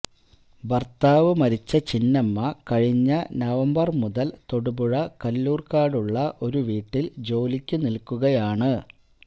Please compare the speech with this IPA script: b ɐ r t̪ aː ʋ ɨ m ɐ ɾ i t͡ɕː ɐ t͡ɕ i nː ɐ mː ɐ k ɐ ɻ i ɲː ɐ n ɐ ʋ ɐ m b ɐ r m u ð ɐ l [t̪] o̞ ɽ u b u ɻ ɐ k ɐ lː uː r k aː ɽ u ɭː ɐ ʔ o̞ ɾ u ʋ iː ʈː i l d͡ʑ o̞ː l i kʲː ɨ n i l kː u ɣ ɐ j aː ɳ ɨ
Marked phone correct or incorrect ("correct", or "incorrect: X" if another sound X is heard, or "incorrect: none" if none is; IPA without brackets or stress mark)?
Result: correct